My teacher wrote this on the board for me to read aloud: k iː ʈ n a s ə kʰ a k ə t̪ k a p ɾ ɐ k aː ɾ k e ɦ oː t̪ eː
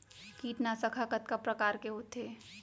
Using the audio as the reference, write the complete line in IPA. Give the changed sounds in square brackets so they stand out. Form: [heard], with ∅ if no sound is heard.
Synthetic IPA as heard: k iː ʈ n a s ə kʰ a k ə t̪ k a p ɾ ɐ k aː ɾ k e ɦ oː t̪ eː